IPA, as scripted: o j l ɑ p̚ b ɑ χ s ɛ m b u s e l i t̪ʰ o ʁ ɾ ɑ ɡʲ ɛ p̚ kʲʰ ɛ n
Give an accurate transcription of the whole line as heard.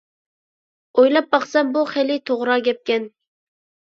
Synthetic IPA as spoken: o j l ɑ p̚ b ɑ χ s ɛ m b u χ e l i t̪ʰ o ʁ ɾ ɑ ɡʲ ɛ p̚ kʲ ɛ n